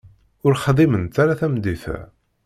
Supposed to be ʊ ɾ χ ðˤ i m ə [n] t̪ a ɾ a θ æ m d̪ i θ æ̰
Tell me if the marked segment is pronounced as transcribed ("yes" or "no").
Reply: yes